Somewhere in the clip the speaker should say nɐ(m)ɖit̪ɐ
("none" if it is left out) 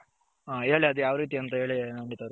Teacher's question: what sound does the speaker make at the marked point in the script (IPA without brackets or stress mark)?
ɳ